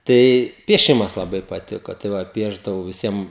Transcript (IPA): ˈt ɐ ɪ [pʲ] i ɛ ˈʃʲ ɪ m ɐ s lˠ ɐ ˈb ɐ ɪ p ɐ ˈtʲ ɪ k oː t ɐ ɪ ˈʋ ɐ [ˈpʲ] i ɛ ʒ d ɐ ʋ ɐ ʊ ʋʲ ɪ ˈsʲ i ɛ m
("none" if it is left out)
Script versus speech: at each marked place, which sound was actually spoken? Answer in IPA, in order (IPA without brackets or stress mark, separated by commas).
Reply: pʲ, pʲ